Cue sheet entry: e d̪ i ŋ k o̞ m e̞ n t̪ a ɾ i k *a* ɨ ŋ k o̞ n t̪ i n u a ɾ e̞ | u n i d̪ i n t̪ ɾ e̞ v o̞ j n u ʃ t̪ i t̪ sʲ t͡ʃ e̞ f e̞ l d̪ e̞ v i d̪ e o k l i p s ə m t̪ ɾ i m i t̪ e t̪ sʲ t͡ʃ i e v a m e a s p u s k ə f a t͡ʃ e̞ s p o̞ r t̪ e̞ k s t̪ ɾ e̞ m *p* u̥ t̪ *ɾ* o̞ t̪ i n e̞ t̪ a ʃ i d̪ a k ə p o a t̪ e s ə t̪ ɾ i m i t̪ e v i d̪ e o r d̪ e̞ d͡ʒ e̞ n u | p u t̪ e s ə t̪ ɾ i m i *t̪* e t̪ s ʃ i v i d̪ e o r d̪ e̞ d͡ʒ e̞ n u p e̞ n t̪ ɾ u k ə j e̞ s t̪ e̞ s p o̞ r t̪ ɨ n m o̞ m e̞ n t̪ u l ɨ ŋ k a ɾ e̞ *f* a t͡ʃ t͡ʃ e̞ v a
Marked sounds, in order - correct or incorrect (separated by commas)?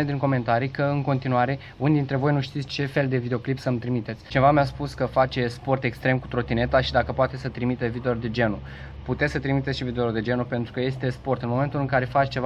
incorrect, incorrect, correct, correct, correct